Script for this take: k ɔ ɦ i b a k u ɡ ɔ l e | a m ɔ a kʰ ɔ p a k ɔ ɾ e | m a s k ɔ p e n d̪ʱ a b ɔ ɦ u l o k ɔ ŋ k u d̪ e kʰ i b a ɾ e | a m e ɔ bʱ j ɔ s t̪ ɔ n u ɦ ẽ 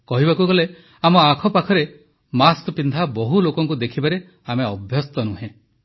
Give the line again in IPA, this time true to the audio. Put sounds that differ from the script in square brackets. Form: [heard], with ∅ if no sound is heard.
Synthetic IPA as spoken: k ɔ ɦ i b a k u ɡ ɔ l e | a m ɔ a kʰ ɔ p a [kʰ] ɔ ɾ e | m a s k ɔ p [i] n d̪ʱ a b ɔ ɦ u l o k ɔ ŋ k u d̪ e kʰ i b a ɾ e | a m e ɔ bʱ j ɔ s t̪ ɔ n u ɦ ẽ